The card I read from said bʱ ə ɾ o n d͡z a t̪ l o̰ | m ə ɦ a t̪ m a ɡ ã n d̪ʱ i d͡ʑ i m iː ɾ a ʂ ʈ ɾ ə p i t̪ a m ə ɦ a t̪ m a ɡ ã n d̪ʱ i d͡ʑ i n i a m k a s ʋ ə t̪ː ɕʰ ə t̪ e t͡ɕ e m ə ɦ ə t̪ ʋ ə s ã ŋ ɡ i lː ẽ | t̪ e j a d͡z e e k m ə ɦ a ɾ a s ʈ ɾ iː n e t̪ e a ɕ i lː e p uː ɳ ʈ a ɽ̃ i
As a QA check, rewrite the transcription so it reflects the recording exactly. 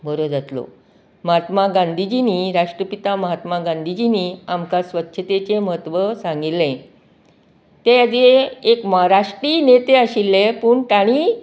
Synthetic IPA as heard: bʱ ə ɾ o d͡z a t̪ l o̰ | m ə ɦ a t̪ m a ɡ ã n d̪ʱ i d͡ʑ i n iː ɾ a ʂ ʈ ɾ ə p i t̪ a m ə ɦ a t̪ m a ɡ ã n d̪ʱ i d͡ʑ i n i a m k a s ʋ ə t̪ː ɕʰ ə t̪ e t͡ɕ e m ə ɦ ə t̪ ʋ ə s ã ŋ ɡ i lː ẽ | t̪ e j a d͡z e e k m ə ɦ a ɾ a ʂ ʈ ɾ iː n e t̪ e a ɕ i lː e p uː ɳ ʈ a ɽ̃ i